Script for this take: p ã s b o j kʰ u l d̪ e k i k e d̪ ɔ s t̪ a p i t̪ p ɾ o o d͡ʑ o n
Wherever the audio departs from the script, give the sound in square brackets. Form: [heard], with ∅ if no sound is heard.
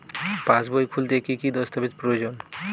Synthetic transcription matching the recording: p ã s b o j kʰ u l [t̪] e k i k [i] d̪ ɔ s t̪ a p i t̪ p ɾ o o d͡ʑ o n